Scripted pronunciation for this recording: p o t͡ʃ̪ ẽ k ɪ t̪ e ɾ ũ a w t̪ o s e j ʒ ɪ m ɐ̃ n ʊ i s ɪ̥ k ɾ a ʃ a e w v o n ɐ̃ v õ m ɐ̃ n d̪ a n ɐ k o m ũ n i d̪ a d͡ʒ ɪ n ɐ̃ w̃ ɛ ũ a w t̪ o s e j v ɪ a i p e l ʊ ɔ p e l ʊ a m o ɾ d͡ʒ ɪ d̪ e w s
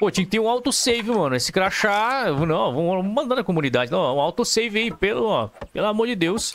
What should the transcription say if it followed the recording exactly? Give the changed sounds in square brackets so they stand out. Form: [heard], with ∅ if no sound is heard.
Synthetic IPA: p o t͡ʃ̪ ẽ k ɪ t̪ e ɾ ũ a w t̪ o s e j [v] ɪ m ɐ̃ n ʊ [e] s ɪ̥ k ɾ a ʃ a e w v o n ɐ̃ v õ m ɐ̃ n d̪ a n ɐ k o m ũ n i d̪ a d͡ʒ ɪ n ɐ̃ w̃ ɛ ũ a w t̪ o s e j v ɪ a i p e l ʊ ɔ p e l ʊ a m o ɾ d͡ʒ ɪ d̪ e w s